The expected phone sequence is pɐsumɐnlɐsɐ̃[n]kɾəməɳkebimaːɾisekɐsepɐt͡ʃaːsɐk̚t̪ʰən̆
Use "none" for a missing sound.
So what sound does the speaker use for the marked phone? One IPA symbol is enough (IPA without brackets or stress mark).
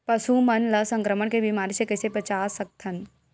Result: ŋ